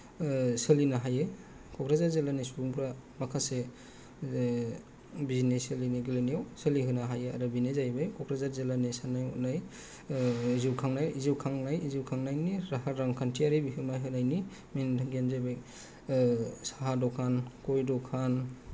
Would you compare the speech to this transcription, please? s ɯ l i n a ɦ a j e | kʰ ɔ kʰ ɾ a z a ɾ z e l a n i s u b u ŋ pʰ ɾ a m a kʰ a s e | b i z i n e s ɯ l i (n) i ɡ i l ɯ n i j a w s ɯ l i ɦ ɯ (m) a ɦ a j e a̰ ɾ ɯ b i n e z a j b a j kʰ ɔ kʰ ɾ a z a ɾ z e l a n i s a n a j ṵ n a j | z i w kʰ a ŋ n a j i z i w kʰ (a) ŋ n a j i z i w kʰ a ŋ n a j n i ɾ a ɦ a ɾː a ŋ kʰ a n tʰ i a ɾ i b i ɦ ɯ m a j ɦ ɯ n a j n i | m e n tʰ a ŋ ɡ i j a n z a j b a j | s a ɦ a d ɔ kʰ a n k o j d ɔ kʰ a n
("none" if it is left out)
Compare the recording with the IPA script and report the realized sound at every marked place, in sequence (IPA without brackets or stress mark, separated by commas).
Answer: n, n, a